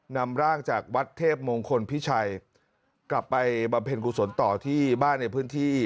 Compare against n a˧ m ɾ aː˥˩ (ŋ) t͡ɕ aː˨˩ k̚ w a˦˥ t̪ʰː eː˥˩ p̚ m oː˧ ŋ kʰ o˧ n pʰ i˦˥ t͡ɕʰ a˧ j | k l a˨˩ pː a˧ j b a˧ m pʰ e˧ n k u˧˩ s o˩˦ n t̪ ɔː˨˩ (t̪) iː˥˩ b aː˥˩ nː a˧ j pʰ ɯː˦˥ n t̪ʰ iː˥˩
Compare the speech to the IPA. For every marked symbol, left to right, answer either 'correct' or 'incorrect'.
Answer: correct, incorrect

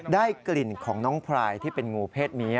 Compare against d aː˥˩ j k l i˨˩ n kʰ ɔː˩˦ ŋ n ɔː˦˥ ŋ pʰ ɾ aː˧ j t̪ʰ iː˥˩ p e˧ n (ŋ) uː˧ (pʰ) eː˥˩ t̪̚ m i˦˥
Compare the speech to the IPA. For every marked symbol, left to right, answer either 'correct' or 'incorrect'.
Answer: correct, correct

